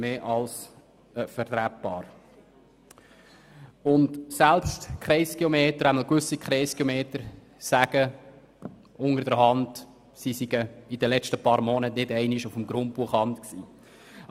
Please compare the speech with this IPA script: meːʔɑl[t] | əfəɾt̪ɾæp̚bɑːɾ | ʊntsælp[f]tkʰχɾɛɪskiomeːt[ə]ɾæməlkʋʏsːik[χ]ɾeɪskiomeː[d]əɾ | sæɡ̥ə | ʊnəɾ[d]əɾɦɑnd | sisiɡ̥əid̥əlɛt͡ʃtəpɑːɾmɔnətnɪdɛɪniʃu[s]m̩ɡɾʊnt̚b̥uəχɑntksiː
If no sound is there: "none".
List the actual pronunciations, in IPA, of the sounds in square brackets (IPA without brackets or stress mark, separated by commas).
s, s, ə, χ, t, d, f